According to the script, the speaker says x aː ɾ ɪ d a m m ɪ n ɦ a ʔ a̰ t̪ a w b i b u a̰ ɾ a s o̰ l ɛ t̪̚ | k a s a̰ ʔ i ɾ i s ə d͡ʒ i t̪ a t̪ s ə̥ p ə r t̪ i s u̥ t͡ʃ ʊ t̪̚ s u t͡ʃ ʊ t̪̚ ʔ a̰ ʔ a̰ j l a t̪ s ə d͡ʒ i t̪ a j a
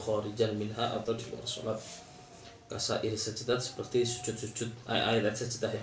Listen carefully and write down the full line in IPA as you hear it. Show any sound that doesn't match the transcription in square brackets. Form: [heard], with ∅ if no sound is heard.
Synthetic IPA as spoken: x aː ɾ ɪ [d͡ʒ] a [n] m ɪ n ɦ a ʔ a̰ t̪ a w [d] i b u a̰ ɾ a s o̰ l [a] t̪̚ | k a s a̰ ʔ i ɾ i s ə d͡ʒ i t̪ a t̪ s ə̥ p ə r t̪ i s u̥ t͡ʃ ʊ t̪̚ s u t͡ʃ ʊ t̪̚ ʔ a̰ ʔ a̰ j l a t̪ s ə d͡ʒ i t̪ a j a